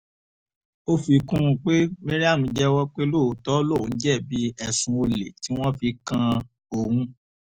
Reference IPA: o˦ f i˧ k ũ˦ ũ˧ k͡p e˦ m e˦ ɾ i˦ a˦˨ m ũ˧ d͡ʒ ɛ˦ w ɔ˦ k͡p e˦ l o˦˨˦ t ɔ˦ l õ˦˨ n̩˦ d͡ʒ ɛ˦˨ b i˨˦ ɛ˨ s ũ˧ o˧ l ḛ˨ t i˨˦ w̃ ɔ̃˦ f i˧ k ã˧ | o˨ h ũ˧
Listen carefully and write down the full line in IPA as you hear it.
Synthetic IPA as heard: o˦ f i˧ k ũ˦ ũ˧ k͡p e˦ m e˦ ɾ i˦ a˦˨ m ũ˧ d͡ʒ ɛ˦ w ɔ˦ k͡p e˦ l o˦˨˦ t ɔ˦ l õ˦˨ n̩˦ d͡ʒ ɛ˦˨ b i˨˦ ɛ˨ s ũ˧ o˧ l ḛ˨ t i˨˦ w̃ ɔ̃˦ f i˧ k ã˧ | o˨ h ũ˧

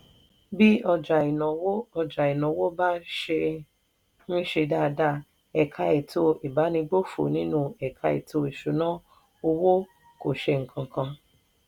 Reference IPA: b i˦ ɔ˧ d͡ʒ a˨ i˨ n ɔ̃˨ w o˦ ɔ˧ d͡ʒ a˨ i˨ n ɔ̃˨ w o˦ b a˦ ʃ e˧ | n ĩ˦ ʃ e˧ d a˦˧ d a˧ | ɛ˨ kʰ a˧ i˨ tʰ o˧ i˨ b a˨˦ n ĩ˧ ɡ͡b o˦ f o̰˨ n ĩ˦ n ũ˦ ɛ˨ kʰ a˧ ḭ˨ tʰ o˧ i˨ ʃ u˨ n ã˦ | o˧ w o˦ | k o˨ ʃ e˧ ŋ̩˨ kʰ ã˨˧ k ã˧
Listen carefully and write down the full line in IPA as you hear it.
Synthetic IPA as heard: b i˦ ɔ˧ d͡ʒ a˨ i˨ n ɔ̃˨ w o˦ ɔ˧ d͡ʒ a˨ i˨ n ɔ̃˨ w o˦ b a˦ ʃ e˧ | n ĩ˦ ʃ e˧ d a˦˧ d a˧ | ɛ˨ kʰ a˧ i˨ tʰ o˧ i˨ b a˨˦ n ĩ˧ ɡ͡b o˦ f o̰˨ n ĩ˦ n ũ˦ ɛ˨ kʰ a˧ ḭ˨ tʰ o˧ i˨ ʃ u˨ n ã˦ | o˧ w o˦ | k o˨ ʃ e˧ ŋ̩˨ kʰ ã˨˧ k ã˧

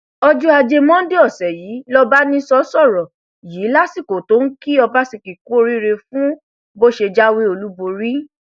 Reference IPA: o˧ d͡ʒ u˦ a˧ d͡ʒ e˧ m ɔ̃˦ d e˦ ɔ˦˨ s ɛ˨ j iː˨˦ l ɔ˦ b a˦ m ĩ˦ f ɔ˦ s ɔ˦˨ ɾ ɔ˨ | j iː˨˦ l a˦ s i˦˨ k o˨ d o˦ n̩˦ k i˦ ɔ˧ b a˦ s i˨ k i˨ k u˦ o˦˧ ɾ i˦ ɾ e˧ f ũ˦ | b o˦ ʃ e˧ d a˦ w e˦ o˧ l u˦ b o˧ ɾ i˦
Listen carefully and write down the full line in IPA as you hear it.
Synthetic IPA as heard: ɔ˧ d͡ʒ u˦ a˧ d͡ʒ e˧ m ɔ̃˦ d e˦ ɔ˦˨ s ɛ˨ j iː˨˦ l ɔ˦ b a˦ n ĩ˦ s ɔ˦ s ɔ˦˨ ɾ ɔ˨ | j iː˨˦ l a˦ s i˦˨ k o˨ t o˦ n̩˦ k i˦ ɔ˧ b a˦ s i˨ k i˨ k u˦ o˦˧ ɾ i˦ ɾ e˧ f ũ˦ | b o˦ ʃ e˧ d͡ʒ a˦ w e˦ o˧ l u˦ b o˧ ɾ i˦

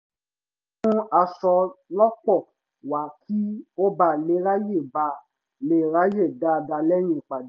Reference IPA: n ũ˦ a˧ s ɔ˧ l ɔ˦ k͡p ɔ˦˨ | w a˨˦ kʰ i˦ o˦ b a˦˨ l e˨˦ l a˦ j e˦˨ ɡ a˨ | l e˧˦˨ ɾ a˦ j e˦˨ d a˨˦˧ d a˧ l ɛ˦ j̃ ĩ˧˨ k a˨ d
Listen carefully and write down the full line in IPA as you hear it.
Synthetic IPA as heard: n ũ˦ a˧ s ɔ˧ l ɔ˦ k͡p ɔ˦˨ | w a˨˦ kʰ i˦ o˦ b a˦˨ l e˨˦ ɾ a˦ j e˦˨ b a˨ | l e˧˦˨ ɾ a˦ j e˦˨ d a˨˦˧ d a˧ l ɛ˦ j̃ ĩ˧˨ k͡p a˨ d

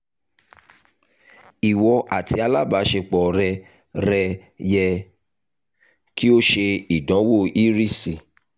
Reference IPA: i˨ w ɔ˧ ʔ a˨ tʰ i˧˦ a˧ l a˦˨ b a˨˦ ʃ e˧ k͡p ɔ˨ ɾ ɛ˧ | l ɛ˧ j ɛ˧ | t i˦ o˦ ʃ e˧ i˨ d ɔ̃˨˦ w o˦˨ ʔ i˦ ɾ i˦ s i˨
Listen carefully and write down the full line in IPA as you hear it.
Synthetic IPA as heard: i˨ w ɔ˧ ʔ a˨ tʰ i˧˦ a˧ l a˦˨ b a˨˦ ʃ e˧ k͡p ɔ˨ ɾ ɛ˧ | ɾ ɛ˧ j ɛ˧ | k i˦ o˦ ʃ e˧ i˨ d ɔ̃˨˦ w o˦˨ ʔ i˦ ɾ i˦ s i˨

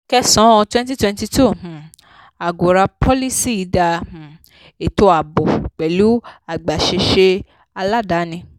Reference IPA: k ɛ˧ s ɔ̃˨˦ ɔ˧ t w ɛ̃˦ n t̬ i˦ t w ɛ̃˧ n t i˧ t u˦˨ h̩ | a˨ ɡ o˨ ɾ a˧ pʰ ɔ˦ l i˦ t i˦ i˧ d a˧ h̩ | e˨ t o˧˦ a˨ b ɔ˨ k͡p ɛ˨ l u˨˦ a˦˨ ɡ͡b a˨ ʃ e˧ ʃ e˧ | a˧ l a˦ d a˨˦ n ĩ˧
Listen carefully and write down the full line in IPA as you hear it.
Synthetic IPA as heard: k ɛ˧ s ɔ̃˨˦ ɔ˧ t w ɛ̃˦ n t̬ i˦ t w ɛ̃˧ n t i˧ t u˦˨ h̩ | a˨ ɡ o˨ ɾ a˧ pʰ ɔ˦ l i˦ s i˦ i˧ d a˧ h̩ | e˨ t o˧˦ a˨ b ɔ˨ k͡p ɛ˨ l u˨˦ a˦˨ ɡ͡b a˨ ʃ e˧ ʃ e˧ | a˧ l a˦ d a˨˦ n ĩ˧

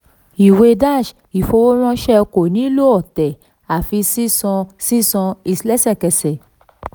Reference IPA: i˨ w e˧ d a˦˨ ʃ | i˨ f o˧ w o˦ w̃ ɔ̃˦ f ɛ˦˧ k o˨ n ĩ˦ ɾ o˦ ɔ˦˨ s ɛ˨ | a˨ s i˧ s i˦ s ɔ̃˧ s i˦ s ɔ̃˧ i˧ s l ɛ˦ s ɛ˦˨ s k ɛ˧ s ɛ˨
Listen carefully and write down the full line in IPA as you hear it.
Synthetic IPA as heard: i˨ w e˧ d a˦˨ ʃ | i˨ f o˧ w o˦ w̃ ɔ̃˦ ʃ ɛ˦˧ k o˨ n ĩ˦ l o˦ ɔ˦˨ t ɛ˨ | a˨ f i˧ s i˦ s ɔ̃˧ s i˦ s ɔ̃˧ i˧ s l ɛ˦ s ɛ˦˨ k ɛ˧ s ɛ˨

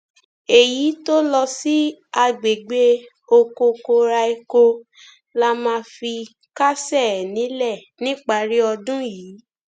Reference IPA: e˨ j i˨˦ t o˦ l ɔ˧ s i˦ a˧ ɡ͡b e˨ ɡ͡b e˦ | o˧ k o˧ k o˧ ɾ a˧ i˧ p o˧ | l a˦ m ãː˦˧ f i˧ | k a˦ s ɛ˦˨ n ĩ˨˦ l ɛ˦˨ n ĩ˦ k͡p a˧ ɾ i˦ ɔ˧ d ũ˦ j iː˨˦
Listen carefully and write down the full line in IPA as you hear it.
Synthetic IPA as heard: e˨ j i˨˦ t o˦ l ɔ˧ s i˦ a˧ ɡ͡b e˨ ɡ͡b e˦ | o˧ k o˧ k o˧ ɾ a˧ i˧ k o˧ | l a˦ m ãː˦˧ f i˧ | k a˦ s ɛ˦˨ n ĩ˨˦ l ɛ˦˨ n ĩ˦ k͡p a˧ ɾ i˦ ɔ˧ d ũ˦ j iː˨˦

